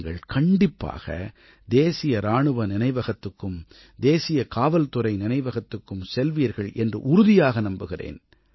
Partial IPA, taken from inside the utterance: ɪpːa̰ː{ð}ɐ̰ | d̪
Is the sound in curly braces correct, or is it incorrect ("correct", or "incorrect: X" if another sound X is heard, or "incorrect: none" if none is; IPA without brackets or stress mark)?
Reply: incorrect: ɣ